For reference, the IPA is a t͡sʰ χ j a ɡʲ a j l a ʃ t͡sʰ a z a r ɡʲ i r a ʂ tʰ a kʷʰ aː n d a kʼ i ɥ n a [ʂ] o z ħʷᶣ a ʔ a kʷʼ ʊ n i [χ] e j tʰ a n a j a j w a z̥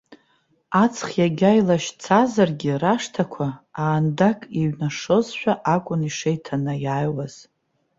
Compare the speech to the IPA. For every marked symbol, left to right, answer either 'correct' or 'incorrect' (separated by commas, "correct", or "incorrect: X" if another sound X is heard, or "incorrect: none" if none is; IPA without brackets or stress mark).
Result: correct, incorrect: ʂ